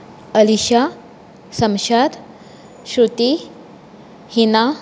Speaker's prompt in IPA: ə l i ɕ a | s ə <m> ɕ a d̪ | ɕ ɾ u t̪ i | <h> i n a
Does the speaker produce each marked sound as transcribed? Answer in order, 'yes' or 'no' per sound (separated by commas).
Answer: yes, yes